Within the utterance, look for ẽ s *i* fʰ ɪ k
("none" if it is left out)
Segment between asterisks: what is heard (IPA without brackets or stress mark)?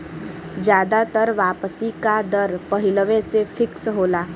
e